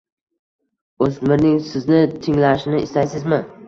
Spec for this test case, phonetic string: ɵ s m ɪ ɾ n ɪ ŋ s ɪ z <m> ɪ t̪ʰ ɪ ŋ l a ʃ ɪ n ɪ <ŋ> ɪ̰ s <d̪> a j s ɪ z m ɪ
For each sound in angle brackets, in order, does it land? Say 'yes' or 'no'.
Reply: no, no, no

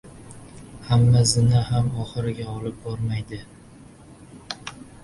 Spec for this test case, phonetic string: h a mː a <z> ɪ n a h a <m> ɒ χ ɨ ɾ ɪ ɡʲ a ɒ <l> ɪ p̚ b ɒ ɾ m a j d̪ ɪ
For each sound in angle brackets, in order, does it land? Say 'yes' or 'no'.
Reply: yes, yes, yes

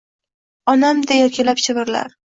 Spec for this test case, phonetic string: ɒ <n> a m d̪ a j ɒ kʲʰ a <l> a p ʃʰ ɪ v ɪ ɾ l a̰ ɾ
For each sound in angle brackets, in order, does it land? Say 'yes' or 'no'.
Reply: yes, yes

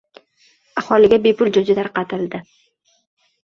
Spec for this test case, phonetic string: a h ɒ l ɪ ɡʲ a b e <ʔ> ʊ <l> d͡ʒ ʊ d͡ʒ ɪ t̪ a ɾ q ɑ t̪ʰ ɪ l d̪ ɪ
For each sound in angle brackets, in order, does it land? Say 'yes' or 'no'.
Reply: no, yes

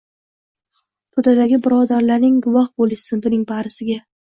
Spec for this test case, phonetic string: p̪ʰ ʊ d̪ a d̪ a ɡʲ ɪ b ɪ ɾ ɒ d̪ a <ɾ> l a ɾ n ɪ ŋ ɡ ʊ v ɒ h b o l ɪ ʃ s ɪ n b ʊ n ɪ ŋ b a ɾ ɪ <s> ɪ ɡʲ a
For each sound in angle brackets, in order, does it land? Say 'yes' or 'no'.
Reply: yes, yes

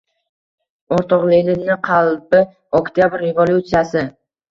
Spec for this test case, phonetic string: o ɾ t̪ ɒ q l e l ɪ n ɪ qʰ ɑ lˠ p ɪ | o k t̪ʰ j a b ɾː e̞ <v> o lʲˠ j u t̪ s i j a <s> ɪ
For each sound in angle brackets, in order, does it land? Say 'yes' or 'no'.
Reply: yes, yes

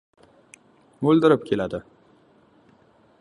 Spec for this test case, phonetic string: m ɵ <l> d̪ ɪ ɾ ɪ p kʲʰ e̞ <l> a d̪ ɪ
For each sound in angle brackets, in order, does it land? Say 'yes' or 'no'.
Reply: yes, yes

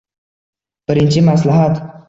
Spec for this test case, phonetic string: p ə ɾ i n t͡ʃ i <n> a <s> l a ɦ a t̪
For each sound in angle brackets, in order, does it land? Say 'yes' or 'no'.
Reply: no, yes

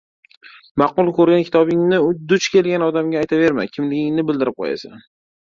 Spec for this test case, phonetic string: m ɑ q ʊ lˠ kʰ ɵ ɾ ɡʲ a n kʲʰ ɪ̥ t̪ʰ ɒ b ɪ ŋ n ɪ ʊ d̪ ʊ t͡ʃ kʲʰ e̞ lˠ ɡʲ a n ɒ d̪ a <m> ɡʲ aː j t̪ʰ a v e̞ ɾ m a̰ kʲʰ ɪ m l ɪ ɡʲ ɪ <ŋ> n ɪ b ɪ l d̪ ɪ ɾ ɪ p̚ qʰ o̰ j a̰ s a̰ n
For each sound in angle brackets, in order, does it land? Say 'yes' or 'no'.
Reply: yes, yes

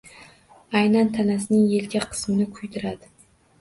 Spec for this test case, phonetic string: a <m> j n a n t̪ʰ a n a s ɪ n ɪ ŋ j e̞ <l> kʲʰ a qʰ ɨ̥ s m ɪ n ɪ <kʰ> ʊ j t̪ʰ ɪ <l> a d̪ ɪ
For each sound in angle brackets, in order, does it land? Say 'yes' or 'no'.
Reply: no, yes, yes, no

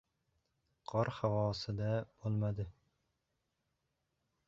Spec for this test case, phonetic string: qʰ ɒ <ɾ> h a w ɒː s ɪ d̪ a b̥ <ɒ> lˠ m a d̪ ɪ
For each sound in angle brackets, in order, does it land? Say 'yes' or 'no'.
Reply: yes, no

